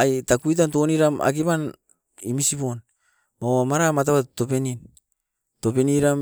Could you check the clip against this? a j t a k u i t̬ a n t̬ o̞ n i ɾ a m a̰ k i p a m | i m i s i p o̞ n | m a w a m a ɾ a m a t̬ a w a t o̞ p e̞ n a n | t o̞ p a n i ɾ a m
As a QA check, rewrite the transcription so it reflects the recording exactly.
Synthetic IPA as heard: a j t a k u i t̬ a n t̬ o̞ n i ɾ a m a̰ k i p a n | i m i s i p o̞ n | m a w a m a ɾ a m a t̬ a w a t o̞ p e̞ n i n | t o̞ p e n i ɾ a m